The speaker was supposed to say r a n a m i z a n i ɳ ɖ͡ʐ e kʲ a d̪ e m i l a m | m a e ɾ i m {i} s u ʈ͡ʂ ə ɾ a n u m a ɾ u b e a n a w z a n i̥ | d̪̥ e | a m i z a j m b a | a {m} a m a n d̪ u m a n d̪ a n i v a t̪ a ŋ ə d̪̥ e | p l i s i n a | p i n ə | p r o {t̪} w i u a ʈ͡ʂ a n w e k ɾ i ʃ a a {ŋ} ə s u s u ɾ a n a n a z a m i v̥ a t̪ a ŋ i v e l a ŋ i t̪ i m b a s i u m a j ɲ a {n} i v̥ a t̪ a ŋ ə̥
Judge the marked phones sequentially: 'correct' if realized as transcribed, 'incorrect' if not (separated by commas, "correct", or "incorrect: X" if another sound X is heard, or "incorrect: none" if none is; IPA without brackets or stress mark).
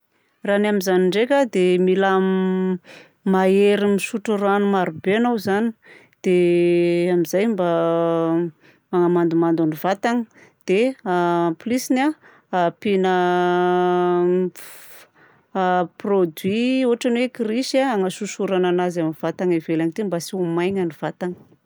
correct, incorrect: ŋ, incorrect: d̪, correct, correct